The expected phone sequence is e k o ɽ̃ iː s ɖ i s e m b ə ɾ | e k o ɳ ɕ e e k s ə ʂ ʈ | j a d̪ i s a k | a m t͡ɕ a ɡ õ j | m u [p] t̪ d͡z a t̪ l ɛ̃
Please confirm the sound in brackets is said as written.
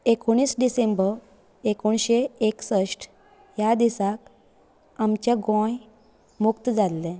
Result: no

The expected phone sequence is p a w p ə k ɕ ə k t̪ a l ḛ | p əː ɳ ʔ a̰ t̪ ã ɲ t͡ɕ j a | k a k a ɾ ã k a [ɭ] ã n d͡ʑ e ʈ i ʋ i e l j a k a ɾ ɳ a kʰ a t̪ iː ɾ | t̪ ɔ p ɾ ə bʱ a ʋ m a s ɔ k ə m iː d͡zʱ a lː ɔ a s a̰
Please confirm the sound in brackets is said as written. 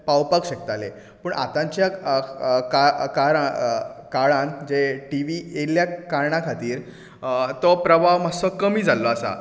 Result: yes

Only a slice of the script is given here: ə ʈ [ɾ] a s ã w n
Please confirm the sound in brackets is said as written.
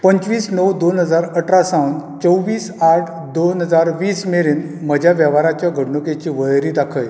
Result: yes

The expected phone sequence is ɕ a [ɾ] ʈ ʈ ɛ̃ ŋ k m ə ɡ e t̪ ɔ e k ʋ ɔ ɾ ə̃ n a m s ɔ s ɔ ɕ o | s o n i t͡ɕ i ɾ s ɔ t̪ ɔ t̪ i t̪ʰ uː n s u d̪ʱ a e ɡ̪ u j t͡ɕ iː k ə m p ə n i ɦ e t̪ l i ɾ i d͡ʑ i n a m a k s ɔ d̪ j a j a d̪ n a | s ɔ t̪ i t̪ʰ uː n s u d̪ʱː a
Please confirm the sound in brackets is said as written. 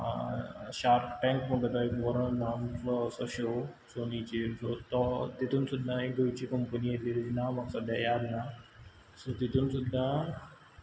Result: yes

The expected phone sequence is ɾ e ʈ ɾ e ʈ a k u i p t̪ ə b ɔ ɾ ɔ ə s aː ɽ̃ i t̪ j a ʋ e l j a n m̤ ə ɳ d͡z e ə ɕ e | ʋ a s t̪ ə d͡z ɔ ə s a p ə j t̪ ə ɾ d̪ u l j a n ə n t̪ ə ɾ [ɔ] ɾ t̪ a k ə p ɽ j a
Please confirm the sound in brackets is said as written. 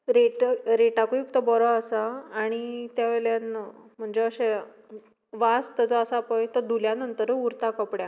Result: no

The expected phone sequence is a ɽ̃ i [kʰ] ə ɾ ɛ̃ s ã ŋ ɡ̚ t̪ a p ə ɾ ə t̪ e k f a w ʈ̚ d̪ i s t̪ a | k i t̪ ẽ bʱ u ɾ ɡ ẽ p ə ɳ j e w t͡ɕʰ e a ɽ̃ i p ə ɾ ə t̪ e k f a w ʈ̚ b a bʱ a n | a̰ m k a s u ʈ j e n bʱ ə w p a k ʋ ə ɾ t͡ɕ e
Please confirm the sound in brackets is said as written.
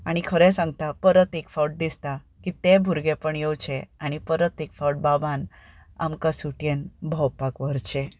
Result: yes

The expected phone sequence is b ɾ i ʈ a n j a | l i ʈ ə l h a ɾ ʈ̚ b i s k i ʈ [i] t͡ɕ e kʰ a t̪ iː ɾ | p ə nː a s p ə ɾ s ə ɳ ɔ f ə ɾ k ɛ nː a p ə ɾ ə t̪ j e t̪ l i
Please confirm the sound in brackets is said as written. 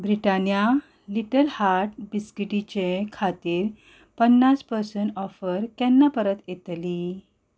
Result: yes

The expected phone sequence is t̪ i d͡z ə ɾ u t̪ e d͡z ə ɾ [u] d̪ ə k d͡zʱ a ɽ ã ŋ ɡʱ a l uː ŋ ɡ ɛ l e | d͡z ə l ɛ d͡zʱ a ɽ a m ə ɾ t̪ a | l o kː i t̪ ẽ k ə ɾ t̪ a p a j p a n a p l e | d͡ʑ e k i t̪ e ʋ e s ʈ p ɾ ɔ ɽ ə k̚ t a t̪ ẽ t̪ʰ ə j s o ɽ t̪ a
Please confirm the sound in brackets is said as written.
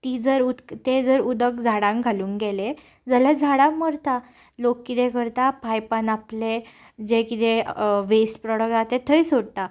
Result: yes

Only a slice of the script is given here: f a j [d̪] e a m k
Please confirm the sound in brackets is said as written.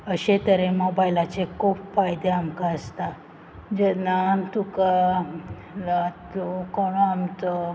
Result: yes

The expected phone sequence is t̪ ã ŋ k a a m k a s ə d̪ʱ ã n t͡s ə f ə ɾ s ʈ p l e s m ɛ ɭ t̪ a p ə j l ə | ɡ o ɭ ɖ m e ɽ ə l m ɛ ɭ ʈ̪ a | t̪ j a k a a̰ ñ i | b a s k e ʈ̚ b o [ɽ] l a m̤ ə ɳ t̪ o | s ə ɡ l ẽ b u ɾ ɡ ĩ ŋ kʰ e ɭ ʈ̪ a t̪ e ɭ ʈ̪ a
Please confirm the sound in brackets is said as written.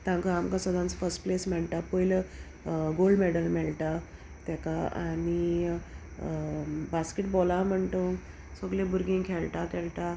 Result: no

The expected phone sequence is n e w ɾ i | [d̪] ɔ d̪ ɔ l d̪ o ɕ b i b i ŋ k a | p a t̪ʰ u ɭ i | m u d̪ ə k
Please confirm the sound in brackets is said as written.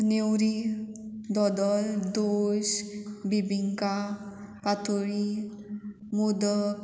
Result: yes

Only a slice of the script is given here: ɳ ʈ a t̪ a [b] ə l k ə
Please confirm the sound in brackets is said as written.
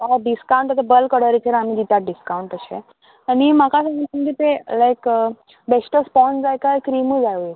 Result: yes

